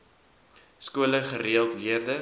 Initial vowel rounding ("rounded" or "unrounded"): rounded